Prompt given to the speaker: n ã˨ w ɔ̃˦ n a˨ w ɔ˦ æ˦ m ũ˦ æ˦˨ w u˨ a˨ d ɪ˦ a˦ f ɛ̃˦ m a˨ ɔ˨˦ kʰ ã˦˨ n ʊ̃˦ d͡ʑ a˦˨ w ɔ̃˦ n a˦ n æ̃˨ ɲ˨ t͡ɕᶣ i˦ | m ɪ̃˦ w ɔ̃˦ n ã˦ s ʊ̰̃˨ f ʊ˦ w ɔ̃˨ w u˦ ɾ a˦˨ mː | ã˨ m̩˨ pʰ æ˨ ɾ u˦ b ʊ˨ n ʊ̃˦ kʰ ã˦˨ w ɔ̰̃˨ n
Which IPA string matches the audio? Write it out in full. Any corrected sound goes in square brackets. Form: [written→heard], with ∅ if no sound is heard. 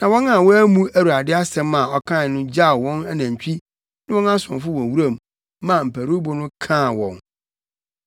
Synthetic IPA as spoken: n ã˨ w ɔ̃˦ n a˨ w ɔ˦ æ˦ m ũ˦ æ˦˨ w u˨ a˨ d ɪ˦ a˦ [f→s] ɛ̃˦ m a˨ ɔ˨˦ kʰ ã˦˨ n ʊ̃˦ d͡ʑ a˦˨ w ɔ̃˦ n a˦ n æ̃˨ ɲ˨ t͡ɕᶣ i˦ | [m→n] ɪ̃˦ w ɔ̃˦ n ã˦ s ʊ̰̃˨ f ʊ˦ w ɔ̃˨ w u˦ ɾ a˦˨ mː | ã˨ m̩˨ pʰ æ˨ ɾ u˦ b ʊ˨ n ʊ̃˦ kʰ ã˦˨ w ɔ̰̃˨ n